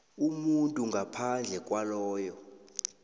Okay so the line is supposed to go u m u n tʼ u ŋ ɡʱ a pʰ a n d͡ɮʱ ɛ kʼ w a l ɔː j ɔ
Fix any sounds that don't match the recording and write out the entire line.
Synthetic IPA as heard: u m u n tʼ u ŋ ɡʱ a pʰ a n d͡ɮʱ ɛ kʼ w a l ɔː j ɔ